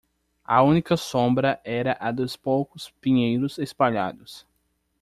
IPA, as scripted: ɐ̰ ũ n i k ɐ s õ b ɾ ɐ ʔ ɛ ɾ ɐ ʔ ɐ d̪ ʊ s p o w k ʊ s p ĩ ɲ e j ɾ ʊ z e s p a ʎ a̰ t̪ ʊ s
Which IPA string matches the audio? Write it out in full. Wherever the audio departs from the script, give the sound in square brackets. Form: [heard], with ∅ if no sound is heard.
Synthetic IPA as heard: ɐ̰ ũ n i k ɐ s õ b ɾ ɐ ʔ ɛ ɾ ɐ ʔ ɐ d̪ ʊ s p o w k ʊ s p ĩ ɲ e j ɾ ʊ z e s p a ʎ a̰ [d̪] ʊ s